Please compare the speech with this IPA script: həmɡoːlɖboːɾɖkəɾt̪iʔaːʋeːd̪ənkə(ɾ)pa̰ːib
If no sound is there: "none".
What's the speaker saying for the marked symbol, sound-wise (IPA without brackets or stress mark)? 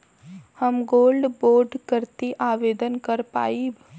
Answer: ɾ